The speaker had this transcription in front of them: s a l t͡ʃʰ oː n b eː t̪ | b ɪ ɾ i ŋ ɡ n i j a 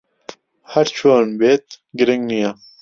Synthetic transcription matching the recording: h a ɾ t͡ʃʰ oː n b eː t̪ | ɡ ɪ ɾ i ŋ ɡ n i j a